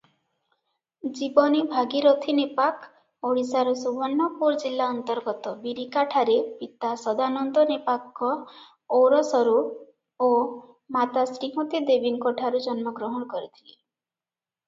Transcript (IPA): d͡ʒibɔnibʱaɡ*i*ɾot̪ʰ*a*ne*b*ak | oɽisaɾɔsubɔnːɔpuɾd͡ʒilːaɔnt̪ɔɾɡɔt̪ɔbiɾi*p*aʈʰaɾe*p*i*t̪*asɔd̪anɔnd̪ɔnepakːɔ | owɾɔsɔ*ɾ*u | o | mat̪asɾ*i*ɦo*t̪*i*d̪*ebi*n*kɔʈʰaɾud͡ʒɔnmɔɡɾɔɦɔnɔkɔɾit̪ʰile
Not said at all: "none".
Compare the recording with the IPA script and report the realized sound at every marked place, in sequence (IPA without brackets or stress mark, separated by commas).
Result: i, i, p, k, p, t̪, ɾ, i, t̪, d̪, ŋ